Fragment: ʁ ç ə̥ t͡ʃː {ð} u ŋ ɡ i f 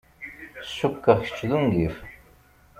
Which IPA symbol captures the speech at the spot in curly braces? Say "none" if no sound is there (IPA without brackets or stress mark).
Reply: ð